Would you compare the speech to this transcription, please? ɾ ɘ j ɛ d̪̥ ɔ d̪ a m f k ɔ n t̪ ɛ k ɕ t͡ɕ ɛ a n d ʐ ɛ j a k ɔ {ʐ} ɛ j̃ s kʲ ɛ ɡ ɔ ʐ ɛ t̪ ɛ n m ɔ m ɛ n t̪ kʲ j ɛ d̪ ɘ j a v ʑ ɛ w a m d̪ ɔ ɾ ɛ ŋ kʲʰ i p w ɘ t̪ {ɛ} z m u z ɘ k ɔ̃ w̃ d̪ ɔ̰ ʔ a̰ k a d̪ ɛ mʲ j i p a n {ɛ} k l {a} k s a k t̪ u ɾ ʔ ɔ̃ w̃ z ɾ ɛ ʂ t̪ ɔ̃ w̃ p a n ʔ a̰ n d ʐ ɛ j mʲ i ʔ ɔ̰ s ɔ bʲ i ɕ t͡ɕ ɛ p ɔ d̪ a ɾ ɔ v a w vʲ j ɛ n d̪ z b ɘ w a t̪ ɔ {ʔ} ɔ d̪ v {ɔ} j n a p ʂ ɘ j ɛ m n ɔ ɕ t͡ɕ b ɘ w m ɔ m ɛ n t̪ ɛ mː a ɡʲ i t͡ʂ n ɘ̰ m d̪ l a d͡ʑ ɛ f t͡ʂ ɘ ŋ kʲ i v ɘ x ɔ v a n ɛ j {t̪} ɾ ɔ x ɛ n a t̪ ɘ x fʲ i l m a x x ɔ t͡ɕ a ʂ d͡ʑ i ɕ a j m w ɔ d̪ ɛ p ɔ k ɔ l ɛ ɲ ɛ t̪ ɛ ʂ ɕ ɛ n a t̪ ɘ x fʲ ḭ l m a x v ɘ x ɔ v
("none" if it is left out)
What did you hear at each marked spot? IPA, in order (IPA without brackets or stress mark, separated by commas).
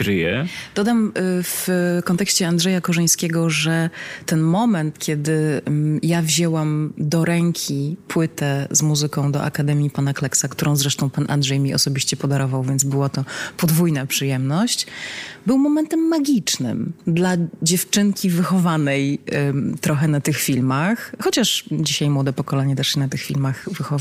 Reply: ʐ, ɛ, a, ɛ, p, u, t̪